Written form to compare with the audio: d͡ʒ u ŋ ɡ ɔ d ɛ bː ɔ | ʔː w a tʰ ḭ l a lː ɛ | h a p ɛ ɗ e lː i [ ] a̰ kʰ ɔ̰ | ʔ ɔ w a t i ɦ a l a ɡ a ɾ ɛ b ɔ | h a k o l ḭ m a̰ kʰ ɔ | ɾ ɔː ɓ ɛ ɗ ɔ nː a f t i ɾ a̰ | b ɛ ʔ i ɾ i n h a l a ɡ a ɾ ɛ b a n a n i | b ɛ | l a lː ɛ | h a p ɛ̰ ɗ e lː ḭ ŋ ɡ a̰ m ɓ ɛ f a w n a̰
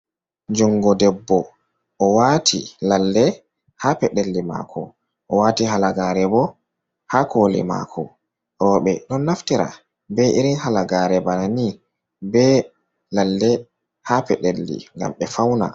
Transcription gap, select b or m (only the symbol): m